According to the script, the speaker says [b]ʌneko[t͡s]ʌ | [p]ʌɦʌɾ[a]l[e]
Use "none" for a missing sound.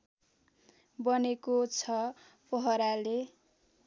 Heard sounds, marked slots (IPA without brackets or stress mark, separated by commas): b, t͡sʰ, p, a, e